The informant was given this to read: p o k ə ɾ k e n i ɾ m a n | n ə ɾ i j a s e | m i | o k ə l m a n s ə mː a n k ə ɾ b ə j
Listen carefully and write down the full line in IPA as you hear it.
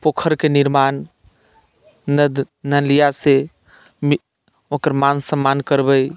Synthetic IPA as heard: p o kʰ ə ɾ k e n i ɾ m a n | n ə l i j a s e | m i | o k ə ɾ m a n s ə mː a n k ə ɾ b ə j